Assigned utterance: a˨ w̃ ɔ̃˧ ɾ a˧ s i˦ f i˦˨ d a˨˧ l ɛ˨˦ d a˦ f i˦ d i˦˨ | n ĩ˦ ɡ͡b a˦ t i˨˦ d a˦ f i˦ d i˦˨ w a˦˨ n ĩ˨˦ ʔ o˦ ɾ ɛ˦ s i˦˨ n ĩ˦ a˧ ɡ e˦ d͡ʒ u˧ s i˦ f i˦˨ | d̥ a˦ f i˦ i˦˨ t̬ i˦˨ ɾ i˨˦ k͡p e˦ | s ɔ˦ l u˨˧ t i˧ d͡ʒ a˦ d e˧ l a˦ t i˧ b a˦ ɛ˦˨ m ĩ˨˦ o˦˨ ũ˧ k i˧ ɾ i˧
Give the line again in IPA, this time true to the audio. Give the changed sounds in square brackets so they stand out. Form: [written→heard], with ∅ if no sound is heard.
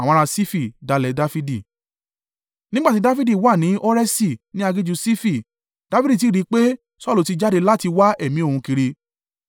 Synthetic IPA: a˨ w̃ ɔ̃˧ ɾ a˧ s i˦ f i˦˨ d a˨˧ l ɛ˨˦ d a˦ f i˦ d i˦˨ | n ĩ˦ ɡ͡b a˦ t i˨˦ d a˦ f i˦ d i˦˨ w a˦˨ n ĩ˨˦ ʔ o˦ ɾ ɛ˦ s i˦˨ n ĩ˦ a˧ ɡ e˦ d͡ʒ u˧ s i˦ f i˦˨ | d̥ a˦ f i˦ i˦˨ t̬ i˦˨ ɾ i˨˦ k͡p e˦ | s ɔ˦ l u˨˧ t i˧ d͡ʒ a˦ d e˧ l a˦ t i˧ [b→w] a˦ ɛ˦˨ m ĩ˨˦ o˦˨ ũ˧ k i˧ ɾ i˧

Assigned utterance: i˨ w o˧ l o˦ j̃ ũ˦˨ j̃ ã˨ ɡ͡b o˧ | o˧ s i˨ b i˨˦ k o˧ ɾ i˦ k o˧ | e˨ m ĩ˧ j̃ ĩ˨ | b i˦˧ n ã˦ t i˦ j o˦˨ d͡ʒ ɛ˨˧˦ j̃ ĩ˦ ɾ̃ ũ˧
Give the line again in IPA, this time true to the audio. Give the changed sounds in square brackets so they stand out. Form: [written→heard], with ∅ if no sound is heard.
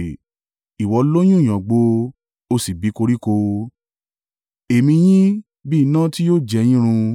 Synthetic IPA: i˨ w [o˧→ɔ˧] l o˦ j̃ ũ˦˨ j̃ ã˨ ɡ͡b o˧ | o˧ s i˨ b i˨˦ k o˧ ɾ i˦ k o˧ | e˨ m ĩ˧ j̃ [ĩ˨→ĩ˦] | b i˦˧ n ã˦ t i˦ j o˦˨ d͡ʒ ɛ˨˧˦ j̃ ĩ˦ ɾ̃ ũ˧

